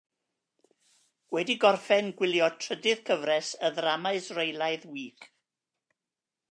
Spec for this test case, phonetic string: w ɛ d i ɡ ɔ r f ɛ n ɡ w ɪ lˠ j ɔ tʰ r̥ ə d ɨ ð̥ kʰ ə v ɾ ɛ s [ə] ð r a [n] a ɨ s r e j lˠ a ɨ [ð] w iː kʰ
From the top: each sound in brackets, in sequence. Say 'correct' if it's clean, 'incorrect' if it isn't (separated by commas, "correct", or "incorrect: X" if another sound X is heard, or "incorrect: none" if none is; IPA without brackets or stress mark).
correct, incorrect: m, correct